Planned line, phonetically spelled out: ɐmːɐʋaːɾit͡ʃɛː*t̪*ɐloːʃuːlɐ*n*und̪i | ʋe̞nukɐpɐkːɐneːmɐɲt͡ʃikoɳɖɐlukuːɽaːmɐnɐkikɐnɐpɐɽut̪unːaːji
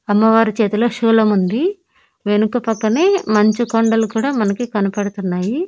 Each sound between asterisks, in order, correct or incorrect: correct, incorrect

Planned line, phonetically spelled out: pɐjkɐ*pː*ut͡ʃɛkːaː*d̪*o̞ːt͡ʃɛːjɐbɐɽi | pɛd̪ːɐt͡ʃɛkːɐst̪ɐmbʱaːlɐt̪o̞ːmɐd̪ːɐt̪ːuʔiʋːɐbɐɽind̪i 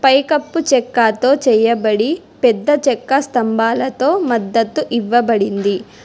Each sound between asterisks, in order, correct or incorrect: correct, incorrect

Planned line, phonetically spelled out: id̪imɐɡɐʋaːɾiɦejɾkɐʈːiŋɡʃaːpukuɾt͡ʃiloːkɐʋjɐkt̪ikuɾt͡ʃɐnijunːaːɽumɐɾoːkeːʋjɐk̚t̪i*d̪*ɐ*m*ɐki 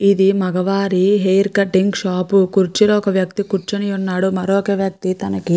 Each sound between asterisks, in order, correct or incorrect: incorrect, incorrect

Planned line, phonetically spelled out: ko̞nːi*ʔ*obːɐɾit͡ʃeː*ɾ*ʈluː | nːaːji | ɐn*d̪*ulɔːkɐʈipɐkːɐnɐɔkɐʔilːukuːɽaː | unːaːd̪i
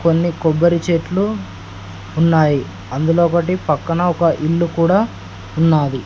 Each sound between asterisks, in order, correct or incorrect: incorrect, incorrect, correct

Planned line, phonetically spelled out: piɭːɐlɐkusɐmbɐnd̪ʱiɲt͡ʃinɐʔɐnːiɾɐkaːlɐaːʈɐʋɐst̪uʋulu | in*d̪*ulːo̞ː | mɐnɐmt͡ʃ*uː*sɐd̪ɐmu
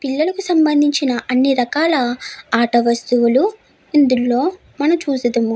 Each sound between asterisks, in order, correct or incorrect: correct, correct

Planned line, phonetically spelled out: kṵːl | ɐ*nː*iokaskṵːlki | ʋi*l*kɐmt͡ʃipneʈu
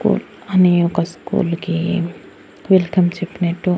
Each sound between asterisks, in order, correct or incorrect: incorrect, correct

